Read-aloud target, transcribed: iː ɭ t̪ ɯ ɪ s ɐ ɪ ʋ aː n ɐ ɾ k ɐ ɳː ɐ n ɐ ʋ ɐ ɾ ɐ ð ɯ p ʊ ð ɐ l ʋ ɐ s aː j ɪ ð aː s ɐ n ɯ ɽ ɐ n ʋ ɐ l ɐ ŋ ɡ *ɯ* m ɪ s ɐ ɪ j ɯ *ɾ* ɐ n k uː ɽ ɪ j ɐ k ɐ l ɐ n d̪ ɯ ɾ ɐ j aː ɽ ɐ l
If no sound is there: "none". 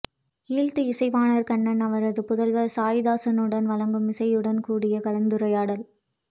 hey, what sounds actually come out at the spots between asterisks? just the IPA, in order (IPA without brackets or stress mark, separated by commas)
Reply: ɯ, ɽ